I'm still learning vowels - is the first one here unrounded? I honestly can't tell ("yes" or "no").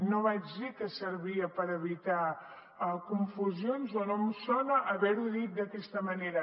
no